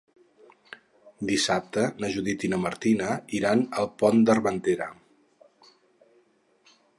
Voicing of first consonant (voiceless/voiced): voiced